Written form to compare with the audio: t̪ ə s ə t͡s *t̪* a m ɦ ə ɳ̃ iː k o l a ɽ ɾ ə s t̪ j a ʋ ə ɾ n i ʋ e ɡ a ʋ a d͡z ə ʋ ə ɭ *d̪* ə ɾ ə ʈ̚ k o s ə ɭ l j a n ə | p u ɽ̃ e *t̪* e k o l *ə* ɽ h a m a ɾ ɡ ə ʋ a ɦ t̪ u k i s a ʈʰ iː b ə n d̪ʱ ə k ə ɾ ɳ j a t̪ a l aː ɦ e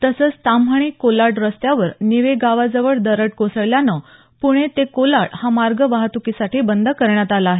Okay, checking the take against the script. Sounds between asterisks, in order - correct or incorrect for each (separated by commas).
correct, correct, correct, incorrect